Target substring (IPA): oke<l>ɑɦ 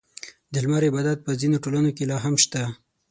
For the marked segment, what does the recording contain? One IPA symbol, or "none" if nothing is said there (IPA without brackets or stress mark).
l